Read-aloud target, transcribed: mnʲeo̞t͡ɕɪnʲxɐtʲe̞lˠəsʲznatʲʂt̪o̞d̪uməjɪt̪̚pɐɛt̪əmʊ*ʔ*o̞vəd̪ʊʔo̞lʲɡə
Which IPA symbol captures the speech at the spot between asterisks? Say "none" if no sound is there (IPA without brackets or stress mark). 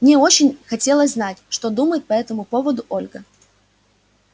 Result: p